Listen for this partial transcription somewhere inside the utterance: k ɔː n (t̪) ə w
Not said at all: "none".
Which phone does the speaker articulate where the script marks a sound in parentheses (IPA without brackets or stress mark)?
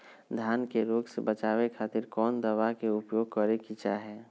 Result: d̪